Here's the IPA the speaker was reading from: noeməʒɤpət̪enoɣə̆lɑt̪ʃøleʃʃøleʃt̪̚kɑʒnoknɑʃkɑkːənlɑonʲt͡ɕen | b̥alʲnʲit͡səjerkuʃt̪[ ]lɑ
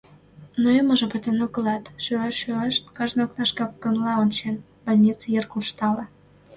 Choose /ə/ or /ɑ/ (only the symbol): ɑ